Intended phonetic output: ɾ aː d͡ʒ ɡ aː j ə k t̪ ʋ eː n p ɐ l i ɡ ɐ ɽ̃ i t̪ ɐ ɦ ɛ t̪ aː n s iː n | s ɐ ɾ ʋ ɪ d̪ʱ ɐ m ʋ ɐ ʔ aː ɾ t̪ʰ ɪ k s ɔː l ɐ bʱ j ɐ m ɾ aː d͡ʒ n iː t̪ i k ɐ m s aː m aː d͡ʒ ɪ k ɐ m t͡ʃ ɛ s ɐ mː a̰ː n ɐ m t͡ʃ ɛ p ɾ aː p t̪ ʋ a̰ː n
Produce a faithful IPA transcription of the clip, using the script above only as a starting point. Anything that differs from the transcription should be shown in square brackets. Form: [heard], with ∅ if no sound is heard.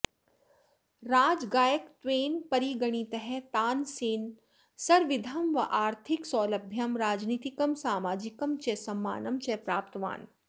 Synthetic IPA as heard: ɾ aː d͡ʒ ɡ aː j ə k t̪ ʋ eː n p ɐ [ɾ] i ɡ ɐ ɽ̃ i t̪ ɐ ɦ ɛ t̪ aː n s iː n | s ɐ ɾ ʋ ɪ d̪ʱ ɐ m ʋ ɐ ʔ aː ɾ t̪ʰ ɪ k s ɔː l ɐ bʱ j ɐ m ɾ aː d͡ʒ n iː t̪ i k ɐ m s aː m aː d͡ʒ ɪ k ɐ m t͡ʃ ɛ s ɐ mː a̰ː n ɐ m t͡ʃ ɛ p ɾ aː p t̪ ʋ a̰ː n